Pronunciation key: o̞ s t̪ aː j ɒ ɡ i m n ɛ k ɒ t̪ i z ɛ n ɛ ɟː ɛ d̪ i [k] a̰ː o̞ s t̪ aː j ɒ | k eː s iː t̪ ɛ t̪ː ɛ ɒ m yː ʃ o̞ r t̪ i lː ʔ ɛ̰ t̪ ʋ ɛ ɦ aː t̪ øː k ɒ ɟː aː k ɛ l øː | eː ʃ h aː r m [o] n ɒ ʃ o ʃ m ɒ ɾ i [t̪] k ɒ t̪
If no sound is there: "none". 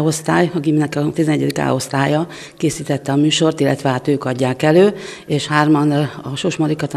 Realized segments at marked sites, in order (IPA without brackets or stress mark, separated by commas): k, ɒ, none